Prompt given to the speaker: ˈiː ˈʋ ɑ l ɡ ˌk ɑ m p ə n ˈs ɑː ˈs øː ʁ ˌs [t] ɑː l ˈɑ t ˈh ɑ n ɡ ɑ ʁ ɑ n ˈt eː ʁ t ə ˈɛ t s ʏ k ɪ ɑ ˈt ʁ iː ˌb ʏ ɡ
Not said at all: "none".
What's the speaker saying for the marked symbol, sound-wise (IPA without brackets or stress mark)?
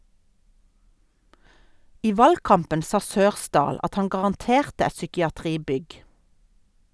d